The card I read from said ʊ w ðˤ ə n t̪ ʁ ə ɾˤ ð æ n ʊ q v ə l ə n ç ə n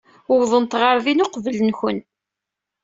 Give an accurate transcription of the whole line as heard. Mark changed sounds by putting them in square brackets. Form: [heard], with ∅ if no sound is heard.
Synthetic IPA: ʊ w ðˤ ə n t̪ ʁ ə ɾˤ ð [i] n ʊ q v ə l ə n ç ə n